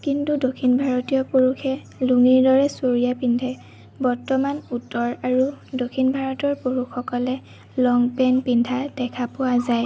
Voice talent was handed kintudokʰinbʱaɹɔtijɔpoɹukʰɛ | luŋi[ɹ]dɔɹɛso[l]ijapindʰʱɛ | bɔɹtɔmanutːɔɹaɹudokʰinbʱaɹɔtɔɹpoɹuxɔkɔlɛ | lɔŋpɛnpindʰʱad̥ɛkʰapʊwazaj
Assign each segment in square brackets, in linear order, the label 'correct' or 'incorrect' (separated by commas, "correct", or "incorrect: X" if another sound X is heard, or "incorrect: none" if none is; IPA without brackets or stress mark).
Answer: correct, incorrect: ɹ